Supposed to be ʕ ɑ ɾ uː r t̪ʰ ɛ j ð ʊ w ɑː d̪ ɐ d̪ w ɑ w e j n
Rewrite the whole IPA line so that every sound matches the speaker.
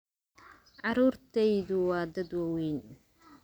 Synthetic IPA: ʕ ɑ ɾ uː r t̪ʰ ɛ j ð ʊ w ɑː d̪ ɐ d̪ w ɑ w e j n